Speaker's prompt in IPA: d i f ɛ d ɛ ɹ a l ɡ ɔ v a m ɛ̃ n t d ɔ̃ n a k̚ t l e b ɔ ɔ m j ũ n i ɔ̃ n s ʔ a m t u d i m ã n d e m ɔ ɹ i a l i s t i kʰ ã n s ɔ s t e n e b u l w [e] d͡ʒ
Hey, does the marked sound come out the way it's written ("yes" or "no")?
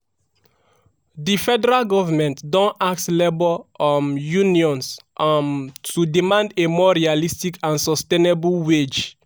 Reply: yes